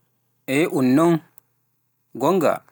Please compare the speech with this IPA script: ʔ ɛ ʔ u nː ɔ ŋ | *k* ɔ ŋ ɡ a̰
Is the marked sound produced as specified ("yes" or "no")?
no